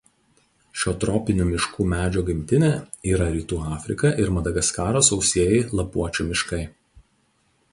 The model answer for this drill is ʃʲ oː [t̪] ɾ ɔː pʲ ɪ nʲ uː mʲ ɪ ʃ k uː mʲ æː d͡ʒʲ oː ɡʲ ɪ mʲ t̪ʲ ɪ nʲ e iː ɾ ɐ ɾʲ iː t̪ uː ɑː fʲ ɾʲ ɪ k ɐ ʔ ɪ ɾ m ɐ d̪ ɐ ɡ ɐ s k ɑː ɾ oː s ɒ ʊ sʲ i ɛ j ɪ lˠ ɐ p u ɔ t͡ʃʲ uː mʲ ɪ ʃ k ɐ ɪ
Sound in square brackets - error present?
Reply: no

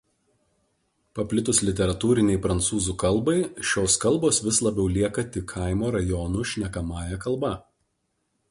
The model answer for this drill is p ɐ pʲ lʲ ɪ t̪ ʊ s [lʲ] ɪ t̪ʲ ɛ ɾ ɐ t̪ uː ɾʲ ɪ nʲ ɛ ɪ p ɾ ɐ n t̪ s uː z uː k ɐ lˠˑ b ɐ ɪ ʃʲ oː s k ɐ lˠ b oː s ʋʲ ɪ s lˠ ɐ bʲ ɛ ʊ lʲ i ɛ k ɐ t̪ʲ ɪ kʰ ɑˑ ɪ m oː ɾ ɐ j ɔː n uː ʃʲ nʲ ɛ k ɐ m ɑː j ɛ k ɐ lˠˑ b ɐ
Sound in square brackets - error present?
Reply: no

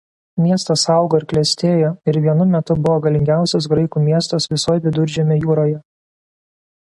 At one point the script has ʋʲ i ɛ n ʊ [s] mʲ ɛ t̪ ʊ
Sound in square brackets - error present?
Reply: yes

